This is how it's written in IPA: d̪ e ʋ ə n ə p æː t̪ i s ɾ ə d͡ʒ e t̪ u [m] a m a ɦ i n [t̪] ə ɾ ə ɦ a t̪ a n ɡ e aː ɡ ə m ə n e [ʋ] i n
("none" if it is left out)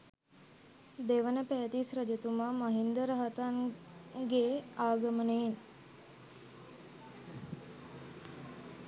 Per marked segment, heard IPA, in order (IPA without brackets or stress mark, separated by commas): m, d̪, none